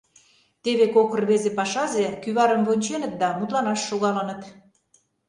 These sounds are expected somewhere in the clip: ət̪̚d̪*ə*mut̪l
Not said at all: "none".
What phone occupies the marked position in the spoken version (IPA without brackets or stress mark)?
ɑ